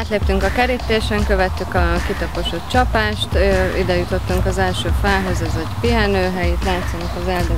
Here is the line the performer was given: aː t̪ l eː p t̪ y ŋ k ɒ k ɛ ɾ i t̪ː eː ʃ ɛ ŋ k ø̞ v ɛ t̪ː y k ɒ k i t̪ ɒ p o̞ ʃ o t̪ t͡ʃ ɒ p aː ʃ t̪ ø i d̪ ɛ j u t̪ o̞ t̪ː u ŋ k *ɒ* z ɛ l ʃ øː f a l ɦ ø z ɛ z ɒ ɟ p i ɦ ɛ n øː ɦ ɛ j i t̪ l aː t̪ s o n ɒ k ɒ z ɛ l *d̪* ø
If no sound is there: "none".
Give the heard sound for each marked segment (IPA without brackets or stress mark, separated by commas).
ɒ, d̪